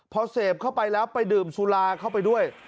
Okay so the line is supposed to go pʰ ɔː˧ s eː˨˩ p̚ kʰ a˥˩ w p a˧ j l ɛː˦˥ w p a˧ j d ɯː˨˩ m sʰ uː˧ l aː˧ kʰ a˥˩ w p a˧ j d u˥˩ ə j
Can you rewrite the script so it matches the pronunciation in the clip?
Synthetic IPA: pʰ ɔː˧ s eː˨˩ p̚ kʰ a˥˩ w p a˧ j l ɛː˦˥ w p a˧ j d ɯː˨˩ m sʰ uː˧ l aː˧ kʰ a˥˩ w p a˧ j d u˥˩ ə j